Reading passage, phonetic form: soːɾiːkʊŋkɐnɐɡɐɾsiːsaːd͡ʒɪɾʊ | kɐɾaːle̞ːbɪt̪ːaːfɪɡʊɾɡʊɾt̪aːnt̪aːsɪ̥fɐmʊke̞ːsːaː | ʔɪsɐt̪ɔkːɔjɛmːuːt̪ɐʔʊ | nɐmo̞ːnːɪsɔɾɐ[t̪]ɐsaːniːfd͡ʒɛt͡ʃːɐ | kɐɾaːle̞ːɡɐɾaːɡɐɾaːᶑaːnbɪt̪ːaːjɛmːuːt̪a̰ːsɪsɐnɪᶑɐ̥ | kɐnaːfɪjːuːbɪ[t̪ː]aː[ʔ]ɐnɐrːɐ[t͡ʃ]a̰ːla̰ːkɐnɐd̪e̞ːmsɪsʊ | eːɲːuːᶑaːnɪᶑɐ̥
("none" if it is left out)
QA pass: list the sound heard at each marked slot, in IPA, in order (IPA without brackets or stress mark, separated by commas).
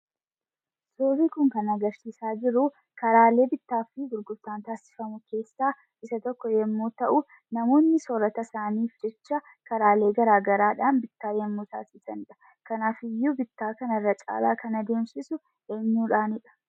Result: t̪, t̪ː, k, t͡ʃʼ